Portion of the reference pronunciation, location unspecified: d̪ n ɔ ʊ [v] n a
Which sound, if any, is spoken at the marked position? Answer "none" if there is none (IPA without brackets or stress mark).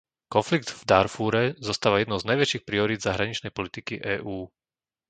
z